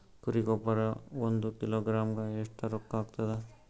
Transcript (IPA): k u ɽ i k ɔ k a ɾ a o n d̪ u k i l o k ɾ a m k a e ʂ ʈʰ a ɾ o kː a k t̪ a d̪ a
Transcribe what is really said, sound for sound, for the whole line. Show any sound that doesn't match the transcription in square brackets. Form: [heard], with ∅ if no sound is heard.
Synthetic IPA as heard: k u [ɾ] i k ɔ [p] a ɾ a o n d̪ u k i l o [ɡ] ɾ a m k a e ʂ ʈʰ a ɾ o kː a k t̪ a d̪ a